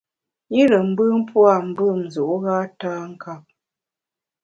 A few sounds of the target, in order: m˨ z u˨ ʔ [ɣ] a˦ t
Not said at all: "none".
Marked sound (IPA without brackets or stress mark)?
ɣ